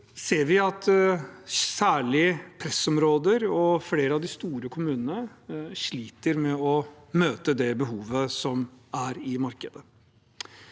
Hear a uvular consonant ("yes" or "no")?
no